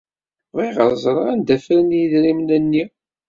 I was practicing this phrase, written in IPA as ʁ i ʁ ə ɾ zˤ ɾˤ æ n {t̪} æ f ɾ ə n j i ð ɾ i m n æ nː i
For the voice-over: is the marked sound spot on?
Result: no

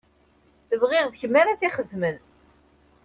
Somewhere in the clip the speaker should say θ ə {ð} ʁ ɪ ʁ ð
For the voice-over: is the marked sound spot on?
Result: no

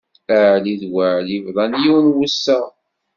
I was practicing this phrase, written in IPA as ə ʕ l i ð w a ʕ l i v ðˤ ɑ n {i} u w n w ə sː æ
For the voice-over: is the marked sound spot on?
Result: no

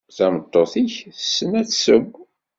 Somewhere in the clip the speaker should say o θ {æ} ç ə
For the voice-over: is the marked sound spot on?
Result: no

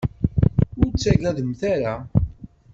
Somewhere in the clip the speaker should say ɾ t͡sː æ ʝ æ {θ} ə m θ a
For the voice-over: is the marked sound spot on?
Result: no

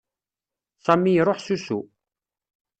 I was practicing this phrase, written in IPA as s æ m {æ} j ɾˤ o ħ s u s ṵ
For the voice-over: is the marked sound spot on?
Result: no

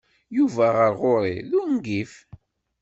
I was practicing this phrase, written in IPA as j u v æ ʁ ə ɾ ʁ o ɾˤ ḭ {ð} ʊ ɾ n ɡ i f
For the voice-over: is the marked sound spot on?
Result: yes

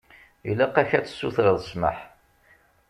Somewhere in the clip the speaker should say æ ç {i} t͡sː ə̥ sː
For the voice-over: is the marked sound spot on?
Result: no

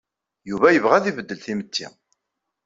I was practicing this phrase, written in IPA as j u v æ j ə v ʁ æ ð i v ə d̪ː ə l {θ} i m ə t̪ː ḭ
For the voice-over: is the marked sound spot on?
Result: yes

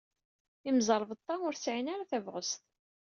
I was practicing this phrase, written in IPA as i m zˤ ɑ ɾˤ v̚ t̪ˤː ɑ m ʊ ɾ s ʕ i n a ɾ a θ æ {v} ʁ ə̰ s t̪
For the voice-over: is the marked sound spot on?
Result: yes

